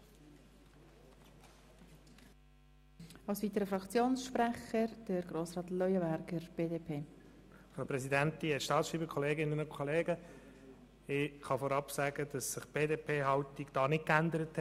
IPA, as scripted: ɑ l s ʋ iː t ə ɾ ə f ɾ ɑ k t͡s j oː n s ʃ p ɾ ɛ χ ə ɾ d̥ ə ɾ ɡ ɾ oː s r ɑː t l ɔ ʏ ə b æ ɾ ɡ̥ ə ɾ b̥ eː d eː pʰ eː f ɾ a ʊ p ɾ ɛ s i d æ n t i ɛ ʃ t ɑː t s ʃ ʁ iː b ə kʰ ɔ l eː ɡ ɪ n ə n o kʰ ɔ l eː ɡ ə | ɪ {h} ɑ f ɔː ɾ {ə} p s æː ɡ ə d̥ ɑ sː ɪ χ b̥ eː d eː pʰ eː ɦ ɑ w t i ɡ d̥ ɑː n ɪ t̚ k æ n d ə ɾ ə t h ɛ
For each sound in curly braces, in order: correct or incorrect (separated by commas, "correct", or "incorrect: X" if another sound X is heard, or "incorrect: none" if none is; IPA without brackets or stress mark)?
incorrect: χ, incorrect: ɑ